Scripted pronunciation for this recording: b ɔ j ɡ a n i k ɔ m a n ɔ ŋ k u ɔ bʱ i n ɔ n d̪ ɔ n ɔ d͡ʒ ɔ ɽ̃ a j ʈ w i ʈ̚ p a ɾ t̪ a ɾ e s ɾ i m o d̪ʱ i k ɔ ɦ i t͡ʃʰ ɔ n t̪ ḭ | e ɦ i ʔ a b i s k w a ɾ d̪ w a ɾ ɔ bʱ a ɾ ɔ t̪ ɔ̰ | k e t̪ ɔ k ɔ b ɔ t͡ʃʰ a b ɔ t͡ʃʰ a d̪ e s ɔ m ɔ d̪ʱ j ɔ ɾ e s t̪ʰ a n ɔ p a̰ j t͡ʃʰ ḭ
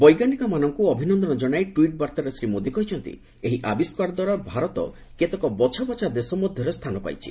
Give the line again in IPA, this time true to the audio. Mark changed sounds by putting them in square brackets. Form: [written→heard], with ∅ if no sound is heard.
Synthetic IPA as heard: b ɔ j ɡ a n i k ɔ m a n ɔ ŋ k u ɔ bʱ i n ɔ n d̪ ɔ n ɔ d͡ʒ ɔ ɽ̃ a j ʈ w i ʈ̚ [p→b] a ɾ t̪ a ɾ e s ɾ i m o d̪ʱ i k ɔ ɦ i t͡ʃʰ ɔ n t̪ ḭ | e ɦ i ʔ a b i s k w a ɾ d̪ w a ɾ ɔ bʱ a ɾ ɔ t̪ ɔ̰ | k e t̪ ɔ k ɔ b ɔ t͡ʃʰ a b ɔ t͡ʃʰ a d̪ e s ɔ m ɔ d̪ʱ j ɔ ɾ e s t̪ʰ a n ɔ p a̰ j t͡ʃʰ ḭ